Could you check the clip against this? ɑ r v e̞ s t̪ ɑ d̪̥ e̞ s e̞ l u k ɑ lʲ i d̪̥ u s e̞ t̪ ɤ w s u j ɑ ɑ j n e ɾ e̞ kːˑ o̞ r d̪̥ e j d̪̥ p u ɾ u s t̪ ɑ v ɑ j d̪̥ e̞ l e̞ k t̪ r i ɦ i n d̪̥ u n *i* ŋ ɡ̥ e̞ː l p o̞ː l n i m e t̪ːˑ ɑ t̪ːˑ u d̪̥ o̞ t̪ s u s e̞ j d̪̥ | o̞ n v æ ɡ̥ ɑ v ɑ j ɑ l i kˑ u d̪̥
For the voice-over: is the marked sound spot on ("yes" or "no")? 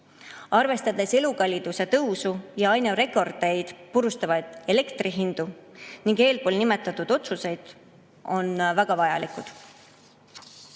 yes